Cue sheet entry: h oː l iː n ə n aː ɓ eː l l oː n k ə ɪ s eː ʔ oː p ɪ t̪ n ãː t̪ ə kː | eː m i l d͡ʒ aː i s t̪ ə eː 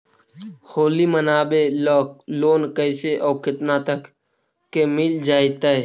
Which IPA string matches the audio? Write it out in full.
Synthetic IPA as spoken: h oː l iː m ə n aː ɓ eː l l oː n k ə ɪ s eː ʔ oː k ɪ t̪ n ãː t̪ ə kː | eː m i l d͡ʒ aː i t̪ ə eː